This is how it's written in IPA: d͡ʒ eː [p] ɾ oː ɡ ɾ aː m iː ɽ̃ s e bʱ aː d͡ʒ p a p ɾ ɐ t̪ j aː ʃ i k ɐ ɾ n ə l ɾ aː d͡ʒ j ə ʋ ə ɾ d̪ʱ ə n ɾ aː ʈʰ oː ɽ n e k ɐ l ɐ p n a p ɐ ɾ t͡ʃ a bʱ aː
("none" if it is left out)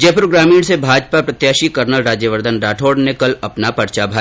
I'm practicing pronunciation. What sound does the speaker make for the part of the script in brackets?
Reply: p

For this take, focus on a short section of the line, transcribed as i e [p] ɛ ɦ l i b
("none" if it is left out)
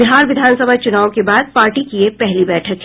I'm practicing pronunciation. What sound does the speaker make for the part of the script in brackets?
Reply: p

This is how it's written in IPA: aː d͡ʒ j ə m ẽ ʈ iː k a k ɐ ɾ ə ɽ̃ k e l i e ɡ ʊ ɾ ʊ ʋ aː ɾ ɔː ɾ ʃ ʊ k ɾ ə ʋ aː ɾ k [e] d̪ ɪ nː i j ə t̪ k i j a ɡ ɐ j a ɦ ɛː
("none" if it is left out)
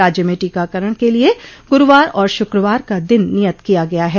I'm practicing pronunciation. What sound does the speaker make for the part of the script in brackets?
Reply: a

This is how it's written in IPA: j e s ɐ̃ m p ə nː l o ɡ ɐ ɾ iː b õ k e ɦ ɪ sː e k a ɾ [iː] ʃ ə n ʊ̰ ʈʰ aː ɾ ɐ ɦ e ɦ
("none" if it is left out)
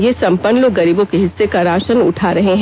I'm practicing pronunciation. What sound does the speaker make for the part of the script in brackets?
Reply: aː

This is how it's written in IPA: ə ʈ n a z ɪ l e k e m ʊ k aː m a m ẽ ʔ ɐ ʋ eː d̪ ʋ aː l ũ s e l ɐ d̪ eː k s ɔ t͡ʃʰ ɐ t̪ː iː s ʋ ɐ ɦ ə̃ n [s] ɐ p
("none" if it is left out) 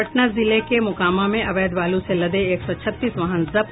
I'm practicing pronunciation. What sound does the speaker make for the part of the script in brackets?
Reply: z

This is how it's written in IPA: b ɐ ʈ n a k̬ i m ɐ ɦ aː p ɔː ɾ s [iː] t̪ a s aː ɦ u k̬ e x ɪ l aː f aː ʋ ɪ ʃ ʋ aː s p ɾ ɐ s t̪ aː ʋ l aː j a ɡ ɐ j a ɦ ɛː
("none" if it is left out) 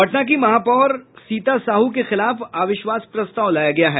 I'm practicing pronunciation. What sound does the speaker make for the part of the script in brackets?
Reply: iː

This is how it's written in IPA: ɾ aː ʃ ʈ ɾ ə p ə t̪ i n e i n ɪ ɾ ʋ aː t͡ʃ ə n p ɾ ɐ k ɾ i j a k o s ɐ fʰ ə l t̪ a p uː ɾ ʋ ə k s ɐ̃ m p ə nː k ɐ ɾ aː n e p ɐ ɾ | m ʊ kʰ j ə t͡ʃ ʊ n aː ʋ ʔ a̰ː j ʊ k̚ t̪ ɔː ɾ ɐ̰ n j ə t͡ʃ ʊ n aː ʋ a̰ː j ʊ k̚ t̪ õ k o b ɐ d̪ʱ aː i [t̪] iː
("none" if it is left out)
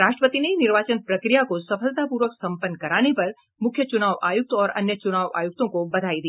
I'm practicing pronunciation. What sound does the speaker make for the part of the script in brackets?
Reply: d̪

